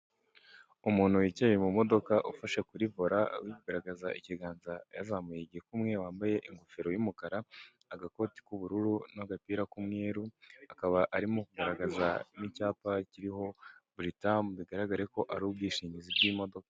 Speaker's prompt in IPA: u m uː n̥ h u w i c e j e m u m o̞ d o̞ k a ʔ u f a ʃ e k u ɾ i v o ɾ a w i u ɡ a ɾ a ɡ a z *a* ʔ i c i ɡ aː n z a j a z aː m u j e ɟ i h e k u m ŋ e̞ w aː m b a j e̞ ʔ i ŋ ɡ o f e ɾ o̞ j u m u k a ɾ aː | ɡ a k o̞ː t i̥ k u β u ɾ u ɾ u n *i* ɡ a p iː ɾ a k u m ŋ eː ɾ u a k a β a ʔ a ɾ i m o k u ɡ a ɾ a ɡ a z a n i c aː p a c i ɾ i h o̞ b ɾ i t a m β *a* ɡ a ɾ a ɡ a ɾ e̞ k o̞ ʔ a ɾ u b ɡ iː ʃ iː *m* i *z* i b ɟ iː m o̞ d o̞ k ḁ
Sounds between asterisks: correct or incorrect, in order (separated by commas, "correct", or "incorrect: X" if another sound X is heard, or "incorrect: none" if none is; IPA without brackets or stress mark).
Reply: correct, incorrect: a, incorrect: i, incorrect: ɲ, correct